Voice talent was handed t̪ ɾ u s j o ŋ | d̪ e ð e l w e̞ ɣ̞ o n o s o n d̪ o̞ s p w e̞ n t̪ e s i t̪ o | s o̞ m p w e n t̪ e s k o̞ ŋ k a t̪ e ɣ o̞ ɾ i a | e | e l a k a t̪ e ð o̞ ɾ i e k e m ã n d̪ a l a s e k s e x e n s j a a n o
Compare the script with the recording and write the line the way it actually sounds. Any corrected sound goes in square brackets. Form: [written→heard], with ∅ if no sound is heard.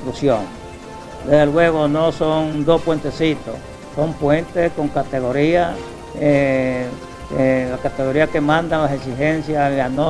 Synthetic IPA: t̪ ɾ u s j o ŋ | d̪ e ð e l w e̞ ɣ̞ o n o s o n d̪ o̞ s p w e̞ n t̪ e s i t̪ o | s o̞ m p w e n t̪ e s k o̞ ŋ k a t̪ e ɣ o̞ ɾ i a | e | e l a k a t̪ e [ð→ɣ] o̞ ɾ i [e→a] k e m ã n d̪ a l a s e k s [e→i] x e n s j a a n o